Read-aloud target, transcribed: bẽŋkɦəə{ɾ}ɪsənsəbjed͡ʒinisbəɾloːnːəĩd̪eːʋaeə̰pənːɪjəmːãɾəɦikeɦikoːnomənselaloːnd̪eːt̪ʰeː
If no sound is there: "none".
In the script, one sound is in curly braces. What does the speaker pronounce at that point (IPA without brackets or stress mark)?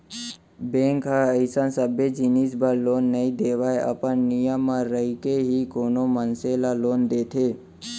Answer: none